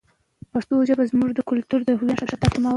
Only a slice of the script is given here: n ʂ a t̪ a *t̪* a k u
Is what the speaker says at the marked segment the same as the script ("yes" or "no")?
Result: yes